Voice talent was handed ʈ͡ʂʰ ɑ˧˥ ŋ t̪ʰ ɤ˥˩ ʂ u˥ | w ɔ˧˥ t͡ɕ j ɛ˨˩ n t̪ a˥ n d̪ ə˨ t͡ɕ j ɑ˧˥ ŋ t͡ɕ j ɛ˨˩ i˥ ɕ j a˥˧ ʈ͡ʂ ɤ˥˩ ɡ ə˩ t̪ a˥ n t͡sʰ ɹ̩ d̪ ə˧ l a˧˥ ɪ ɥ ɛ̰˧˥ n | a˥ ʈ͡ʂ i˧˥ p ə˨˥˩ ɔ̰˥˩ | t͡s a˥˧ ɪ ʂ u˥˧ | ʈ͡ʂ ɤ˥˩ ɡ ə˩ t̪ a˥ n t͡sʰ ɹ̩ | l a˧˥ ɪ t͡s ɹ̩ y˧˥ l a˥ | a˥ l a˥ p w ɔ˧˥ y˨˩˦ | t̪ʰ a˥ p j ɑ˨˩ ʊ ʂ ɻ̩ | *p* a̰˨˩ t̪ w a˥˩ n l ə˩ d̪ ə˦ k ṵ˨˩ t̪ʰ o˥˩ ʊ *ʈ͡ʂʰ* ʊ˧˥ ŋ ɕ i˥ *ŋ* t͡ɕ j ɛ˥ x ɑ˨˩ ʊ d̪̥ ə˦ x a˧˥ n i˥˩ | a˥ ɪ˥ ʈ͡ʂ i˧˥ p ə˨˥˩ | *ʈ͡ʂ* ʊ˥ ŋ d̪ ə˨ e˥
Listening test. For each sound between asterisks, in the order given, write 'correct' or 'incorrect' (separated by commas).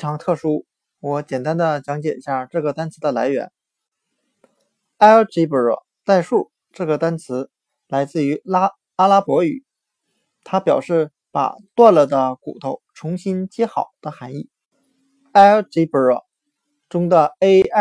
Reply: correct, correct, incorrect, correct